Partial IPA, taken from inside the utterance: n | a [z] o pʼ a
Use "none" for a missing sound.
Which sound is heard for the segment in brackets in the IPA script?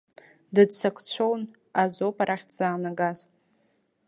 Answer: z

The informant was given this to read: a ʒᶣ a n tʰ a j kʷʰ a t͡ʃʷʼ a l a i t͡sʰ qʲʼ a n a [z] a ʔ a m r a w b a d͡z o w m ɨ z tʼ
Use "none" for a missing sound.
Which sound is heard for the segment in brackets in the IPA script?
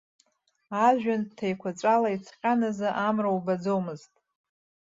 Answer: z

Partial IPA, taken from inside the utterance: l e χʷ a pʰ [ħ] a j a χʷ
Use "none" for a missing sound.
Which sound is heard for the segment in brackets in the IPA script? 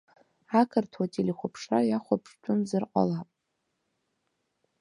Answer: ʂ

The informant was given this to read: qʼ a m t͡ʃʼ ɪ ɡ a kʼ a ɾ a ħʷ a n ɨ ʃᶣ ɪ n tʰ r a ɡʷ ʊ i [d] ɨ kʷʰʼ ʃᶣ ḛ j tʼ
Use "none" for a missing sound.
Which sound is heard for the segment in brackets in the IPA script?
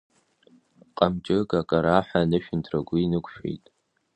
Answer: n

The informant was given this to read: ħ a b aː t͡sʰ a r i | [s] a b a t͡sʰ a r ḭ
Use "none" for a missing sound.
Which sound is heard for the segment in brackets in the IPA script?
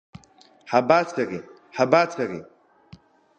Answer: ħ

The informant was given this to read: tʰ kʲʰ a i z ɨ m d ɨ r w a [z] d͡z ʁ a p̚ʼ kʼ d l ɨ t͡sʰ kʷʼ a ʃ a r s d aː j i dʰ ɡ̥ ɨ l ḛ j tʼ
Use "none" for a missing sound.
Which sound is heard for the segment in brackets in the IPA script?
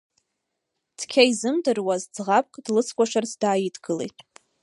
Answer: z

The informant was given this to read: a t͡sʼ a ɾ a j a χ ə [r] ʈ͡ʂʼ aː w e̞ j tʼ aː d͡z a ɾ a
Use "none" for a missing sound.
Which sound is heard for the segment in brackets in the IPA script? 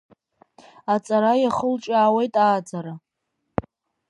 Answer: l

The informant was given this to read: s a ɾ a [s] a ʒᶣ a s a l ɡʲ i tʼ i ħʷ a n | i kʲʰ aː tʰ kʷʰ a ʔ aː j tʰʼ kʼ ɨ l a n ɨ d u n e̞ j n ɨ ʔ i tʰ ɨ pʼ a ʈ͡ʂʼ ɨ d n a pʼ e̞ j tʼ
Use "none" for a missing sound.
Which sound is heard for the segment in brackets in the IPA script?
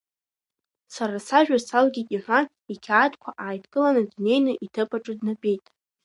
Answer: s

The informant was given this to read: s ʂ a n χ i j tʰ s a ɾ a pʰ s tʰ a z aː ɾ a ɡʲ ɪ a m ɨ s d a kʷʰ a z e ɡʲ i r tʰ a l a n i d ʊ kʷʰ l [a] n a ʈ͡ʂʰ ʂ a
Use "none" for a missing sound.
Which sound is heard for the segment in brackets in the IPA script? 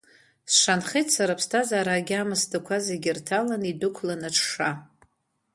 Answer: a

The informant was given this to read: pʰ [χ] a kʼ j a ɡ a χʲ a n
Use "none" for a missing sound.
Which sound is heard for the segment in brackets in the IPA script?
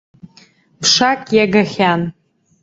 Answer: ʂ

